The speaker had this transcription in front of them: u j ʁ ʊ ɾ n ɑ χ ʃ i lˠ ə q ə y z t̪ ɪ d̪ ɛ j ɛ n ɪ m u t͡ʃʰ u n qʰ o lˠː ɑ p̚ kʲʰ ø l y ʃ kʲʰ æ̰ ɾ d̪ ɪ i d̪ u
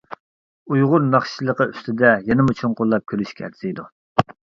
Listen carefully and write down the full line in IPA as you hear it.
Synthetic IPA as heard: u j ʁ ʊ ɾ n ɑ χ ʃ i lˠ ə q ə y s t̪ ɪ d̪ ɛ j ɛ n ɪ m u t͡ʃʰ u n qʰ o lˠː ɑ p̚ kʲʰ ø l y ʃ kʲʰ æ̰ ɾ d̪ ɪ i d̪ u